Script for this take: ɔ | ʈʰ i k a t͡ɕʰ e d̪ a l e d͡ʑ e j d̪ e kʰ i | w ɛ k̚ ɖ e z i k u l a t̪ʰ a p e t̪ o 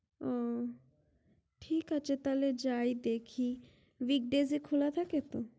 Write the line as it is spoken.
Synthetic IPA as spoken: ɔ | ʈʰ i k a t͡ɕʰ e t̪ a l e d͡ʑ a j d̪ e kʰ i | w i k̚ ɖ e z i kʰ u l a t̪ʰ a k e t̪ o